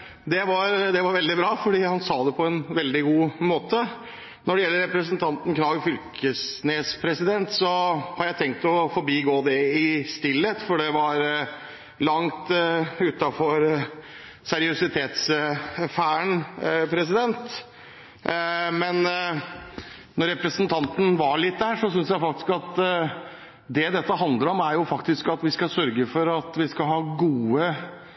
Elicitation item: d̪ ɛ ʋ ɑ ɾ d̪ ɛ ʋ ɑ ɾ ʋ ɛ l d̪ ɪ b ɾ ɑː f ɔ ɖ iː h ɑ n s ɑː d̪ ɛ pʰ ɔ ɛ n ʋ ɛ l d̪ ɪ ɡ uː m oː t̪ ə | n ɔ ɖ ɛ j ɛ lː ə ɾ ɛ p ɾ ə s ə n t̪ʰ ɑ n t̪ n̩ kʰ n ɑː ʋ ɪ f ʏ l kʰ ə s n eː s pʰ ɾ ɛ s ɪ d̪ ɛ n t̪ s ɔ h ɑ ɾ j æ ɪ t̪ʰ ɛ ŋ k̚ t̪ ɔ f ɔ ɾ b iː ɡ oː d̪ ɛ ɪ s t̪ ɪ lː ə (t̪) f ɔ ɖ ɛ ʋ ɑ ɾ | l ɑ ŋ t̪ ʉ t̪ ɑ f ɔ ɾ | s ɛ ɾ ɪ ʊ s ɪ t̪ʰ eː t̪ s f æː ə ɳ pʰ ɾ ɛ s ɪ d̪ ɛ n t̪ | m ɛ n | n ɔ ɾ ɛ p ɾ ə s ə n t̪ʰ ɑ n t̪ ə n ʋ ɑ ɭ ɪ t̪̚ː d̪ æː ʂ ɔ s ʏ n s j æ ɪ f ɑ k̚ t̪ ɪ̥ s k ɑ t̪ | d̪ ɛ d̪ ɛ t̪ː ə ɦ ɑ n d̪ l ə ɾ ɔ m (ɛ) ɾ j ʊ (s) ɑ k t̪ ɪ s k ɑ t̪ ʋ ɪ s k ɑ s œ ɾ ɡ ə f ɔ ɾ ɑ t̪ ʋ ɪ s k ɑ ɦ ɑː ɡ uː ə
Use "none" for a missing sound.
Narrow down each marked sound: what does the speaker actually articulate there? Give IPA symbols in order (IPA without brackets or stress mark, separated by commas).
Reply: t̪, æ, f